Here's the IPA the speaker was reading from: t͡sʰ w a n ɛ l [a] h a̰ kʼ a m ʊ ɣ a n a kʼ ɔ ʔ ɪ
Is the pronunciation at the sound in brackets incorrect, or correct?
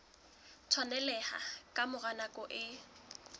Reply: incorrect